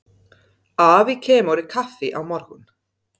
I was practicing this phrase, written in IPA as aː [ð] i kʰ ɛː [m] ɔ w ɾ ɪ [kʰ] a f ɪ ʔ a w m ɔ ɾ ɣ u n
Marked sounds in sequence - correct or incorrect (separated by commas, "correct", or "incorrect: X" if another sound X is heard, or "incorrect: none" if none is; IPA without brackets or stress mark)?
incorrect: v, correct, correct